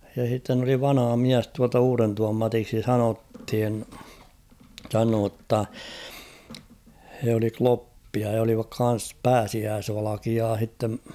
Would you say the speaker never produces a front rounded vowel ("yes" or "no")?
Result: yes